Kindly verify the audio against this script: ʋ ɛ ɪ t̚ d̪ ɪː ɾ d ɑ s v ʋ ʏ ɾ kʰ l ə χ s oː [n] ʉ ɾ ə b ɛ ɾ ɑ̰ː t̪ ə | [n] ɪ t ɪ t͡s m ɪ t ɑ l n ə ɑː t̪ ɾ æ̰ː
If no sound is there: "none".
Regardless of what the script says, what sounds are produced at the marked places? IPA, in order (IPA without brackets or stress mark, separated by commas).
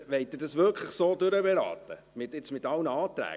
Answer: d, m